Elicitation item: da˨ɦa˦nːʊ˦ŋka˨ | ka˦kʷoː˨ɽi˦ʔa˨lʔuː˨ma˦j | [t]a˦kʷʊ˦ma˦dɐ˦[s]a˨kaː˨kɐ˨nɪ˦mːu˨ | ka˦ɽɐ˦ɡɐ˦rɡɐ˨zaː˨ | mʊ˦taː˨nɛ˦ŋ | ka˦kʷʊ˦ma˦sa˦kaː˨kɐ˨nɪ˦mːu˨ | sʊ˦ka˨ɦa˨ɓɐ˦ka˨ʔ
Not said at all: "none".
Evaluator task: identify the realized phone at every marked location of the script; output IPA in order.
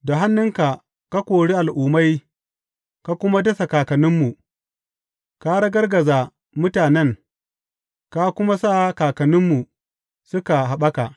k, s

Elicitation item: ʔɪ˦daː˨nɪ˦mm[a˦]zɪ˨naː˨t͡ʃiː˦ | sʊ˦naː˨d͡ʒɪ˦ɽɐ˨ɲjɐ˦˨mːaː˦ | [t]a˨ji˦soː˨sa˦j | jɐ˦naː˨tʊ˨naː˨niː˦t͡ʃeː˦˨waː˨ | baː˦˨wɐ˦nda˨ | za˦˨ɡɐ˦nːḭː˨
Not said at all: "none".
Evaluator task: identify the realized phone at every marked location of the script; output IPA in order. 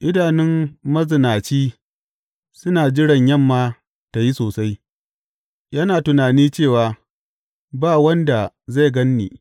ɐ˦, t

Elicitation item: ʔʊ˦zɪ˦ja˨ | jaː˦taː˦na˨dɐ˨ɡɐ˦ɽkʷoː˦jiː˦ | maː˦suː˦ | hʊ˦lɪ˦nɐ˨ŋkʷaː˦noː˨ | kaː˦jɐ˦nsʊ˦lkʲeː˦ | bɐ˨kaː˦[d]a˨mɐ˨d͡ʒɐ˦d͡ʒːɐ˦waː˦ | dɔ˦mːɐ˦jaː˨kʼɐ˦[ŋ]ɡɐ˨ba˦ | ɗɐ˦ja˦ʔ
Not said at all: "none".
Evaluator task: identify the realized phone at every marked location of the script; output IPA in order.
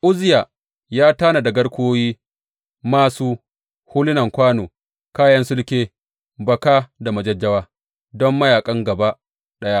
d, ŋ

